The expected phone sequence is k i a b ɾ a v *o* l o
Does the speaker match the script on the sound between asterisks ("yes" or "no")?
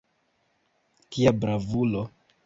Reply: no